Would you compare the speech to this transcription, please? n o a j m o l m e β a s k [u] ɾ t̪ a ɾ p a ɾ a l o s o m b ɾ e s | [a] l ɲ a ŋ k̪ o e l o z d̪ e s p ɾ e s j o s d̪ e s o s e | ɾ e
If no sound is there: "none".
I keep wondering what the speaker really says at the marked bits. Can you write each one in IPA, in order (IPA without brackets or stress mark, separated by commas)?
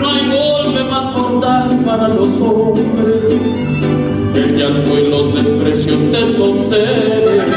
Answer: o, e